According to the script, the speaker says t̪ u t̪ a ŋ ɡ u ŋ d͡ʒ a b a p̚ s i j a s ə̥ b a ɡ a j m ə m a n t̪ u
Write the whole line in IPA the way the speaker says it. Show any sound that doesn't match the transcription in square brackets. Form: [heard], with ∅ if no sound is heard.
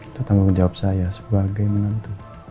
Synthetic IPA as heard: t̪ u t̪ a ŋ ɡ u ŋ d͡ʒ a [w] a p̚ s [a] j a s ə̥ b a ɡ a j m ə [n] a n t̪ u